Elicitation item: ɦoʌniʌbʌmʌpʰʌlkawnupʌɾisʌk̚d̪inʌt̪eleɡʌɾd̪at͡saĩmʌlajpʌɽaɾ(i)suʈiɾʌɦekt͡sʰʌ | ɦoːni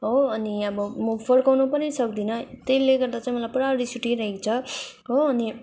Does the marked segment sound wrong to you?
no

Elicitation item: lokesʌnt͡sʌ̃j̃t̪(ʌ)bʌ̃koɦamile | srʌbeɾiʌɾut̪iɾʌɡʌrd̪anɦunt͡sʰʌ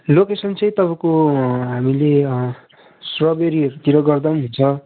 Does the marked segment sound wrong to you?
no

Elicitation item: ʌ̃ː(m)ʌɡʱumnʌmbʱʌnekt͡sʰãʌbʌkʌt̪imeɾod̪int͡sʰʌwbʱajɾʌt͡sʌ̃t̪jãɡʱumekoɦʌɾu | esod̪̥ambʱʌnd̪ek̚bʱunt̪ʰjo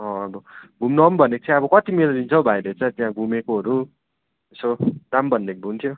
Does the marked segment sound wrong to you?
yes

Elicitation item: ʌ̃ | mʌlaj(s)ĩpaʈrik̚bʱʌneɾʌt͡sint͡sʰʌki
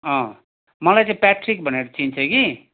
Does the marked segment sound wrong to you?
yes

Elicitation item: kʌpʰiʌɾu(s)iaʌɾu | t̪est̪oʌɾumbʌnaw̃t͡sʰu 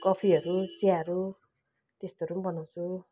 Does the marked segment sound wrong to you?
yes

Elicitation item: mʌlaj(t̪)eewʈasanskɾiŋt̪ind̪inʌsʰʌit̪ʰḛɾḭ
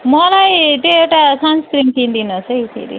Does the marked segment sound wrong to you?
no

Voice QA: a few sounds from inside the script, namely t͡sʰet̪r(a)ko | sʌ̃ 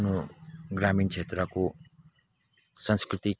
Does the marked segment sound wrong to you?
yes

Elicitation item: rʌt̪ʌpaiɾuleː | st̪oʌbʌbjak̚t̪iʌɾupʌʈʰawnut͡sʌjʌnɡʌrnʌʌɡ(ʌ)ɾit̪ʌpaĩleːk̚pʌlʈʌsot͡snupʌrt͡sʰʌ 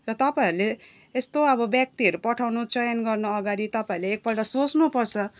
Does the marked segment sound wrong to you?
yes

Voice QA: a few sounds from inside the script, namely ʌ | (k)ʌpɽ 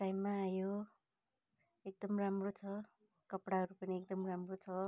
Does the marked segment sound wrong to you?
no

